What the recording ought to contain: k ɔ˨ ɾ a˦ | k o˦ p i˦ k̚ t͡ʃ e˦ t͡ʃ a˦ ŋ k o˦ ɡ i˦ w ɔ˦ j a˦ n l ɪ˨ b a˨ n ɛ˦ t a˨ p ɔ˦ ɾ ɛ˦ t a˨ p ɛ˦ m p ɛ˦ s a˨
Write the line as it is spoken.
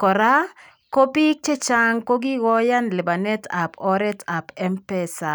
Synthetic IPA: k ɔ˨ ɾ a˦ | k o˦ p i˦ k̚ t͡ʃ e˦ t͡ʃ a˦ ŋ k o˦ ɡ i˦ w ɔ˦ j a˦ n l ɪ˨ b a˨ n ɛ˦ t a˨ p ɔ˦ ɾ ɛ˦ t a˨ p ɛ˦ m p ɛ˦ s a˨